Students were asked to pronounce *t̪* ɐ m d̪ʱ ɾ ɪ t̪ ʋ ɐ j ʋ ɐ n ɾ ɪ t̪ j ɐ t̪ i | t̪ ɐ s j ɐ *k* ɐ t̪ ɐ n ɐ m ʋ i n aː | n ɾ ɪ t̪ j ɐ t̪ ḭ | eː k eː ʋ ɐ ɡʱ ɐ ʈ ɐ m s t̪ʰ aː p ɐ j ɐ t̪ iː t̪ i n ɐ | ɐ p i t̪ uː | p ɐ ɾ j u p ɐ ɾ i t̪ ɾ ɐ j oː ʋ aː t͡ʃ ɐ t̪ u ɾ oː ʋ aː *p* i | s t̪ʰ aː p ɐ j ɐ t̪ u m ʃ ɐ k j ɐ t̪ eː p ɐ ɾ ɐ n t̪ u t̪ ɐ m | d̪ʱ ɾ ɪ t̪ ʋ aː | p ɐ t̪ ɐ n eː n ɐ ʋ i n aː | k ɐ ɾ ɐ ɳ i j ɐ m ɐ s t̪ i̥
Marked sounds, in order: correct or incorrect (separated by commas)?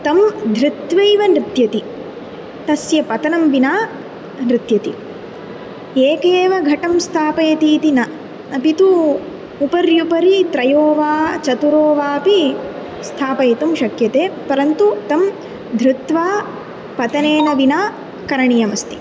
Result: correct, incorrect, correct